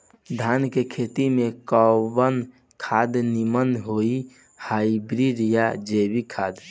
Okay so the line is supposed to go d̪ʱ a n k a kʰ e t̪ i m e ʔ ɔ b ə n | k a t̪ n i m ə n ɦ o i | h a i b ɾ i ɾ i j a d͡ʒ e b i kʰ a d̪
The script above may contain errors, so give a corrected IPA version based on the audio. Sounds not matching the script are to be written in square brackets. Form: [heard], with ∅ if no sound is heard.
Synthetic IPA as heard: d̪ʱ a n k [e] kʰ e t̪ i m e [k] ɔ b ə n | [kʰ] a [d̪] n i m ə n ɦ o i | h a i b ɾ i ɾ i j a d͡ʒ e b i kʰ a d̪